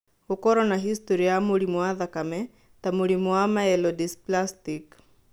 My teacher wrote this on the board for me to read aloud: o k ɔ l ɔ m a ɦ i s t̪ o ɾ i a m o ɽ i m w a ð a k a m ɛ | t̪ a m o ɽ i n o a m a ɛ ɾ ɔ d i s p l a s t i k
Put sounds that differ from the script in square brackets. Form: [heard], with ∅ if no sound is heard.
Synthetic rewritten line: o k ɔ [ɾ] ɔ [n] a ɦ i s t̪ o ɾ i a m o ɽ i m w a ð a k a m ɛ | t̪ a m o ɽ i [m] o a m a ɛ [l] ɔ d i s p l a s t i k